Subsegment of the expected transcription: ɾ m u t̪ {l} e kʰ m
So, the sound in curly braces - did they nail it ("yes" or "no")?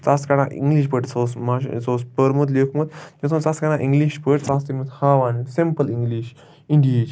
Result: yes